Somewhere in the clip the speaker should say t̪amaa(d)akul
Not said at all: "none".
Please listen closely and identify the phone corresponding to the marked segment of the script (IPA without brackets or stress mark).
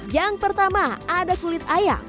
d